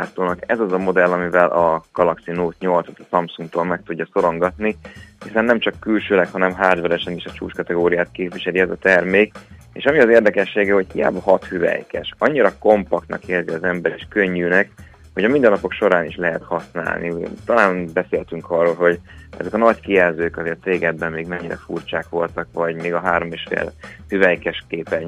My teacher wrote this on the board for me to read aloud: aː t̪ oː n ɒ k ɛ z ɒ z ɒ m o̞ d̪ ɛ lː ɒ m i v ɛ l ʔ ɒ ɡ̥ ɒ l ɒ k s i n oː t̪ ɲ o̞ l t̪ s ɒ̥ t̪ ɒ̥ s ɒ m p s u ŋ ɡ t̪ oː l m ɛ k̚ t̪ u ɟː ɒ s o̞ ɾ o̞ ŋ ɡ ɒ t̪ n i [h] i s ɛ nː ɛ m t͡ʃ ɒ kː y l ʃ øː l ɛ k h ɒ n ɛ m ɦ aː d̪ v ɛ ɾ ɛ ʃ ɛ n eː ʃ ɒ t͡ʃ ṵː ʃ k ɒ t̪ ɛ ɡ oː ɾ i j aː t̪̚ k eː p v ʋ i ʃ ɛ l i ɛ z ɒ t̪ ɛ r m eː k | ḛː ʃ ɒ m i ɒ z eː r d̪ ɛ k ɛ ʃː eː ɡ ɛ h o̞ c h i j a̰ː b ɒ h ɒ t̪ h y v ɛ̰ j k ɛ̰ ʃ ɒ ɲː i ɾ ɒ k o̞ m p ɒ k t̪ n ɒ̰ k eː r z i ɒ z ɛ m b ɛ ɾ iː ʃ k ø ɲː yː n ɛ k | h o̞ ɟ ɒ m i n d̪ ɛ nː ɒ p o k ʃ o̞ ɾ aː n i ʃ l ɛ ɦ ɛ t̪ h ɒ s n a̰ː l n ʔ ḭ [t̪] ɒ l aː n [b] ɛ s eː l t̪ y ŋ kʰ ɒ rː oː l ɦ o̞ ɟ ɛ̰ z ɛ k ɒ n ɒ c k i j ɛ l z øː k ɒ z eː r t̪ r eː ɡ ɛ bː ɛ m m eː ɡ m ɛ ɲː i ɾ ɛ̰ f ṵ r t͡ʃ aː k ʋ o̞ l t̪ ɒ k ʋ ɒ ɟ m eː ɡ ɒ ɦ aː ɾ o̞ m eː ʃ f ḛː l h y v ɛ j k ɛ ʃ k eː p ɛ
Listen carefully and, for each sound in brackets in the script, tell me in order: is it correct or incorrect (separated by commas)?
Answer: correct, correct, correct